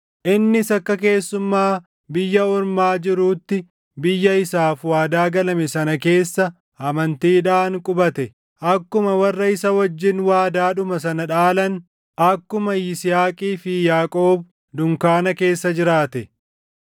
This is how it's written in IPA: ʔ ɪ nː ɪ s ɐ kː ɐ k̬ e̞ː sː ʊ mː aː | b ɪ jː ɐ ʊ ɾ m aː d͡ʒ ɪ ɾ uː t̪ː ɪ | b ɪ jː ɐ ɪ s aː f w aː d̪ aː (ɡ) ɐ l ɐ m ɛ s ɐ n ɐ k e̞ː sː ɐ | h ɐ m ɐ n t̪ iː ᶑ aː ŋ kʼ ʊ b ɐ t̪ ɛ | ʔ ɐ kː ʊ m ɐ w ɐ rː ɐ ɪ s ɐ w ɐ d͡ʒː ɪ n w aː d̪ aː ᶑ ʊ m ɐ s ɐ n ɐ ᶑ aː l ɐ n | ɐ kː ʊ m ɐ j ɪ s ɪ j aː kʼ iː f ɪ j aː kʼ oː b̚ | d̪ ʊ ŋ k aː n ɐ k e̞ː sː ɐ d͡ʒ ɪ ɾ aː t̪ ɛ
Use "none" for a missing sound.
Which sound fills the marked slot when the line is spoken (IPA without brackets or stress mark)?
ɡ